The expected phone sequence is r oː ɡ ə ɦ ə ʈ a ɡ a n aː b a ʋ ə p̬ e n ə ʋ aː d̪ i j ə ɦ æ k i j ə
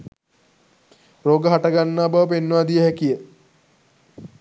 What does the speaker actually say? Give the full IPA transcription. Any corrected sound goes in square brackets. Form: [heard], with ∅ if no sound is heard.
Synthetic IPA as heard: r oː ɡ ə ɦ [a] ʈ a ɡ a [nː] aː b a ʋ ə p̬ e [nː] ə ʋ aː d̪ i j ə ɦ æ k i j ə

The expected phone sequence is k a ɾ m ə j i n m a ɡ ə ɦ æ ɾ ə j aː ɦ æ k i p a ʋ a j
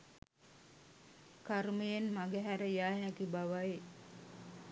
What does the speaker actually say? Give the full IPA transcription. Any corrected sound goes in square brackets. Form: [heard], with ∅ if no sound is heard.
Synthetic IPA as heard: k a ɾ m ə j [e] n m a ɡ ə ɦ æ ɾ ə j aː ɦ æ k i [b] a ʋ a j

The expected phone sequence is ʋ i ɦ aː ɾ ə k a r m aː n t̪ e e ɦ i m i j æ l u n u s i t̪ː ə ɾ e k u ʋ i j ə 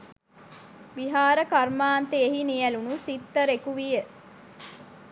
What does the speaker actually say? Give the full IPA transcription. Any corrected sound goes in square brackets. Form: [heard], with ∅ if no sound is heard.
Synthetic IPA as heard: ʋ i ɦ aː ɾ ə k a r m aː n t̪ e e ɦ i [n] i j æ l u n u s i t̪ː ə ɾ e k u ʋ i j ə

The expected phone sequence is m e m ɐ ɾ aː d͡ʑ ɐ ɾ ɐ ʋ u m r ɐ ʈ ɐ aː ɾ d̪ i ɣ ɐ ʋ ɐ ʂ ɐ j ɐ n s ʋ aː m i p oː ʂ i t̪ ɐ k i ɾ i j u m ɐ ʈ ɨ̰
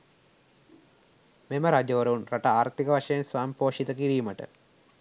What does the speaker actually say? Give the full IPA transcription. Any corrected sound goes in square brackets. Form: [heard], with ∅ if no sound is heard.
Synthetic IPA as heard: m e m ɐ ɾ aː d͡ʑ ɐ ɾ ɐ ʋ u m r ɐ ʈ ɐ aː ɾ [t̪] i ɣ ɐ ʋ ɐ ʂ ɐ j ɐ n s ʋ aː m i p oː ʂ i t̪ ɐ k i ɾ i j u m ɐ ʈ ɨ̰

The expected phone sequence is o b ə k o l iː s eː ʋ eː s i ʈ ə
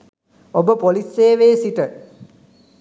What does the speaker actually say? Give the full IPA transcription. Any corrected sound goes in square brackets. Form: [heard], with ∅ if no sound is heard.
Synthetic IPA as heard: o b ə [p] o l [i] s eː ʋ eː s i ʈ ə

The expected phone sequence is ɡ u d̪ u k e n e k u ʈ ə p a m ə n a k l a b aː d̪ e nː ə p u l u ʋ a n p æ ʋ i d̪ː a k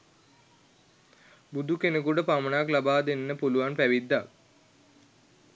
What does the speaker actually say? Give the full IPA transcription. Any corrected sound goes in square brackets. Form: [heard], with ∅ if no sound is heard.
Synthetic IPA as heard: [b] u d̪ u k e n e k u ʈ ə p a m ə n a k l a b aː d̪ e nː ə p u l u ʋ a n p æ ʋ i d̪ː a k

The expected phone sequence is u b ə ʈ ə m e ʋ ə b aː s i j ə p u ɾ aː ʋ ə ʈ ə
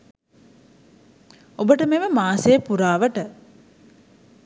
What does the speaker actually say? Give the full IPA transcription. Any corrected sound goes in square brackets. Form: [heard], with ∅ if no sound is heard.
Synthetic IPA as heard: [o] b ə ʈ ə m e ʋ ə [m] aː s [e] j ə p u ɾ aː ʋ ə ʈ ə

